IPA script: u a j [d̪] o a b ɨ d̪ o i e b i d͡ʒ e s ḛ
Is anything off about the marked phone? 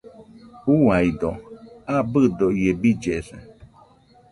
no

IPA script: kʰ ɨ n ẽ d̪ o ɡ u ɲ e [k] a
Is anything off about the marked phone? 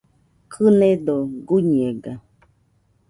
yes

